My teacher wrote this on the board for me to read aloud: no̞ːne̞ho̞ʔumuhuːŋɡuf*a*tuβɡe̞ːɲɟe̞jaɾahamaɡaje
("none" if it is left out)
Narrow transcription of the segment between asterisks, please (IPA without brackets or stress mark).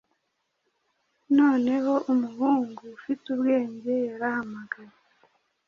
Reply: i